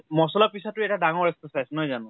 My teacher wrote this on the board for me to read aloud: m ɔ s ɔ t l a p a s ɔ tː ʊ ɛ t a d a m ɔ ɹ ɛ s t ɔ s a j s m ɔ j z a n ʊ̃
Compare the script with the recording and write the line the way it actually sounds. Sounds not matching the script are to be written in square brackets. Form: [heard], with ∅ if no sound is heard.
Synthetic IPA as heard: m ɔ s ɔ [∅] l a p [i] s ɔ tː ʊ ɛ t a d a [ŋ] ɔ ɹ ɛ s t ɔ s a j s [n] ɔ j z a n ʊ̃